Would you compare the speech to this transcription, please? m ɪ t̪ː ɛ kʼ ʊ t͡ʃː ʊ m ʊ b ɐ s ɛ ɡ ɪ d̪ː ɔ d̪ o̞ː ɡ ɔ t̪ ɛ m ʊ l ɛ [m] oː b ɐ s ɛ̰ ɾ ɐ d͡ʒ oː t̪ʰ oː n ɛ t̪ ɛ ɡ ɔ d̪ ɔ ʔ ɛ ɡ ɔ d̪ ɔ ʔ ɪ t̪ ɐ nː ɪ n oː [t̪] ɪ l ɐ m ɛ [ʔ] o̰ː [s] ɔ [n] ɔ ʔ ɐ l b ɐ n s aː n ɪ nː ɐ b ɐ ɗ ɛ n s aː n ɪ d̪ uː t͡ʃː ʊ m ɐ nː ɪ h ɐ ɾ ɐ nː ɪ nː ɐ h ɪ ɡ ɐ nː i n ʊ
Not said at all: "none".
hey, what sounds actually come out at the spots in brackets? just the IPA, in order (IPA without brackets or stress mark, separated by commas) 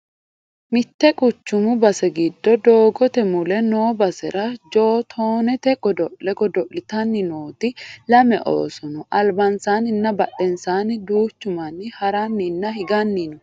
n, t̪, ʔ, s, n